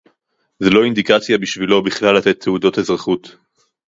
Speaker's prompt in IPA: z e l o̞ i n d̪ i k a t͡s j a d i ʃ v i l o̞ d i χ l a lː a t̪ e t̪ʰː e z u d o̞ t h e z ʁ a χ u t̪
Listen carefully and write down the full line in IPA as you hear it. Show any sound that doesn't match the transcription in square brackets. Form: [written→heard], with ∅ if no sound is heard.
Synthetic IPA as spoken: z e l o̞ i n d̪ i k a t͡s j a [d→b] i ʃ v i l o̞ [d→b] i χ l a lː a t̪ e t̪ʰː e [z→∅] u d o̞ t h e z ʁ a χ u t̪